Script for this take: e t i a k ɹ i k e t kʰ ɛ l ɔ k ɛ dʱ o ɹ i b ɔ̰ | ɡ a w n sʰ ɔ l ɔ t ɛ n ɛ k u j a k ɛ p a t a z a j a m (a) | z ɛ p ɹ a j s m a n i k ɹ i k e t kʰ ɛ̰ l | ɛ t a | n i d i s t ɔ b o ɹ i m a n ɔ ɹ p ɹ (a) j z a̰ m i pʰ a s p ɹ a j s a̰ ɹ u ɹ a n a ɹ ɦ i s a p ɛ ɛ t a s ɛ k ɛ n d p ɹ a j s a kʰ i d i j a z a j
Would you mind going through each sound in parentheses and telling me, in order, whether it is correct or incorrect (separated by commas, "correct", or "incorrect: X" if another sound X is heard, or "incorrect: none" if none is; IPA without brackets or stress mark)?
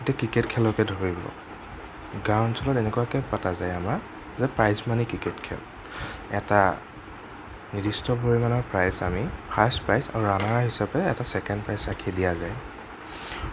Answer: correct, correct